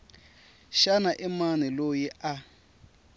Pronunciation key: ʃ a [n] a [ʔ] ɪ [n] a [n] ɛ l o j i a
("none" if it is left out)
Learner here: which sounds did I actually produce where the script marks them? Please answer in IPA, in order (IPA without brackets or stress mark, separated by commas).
n, ʔ, m, n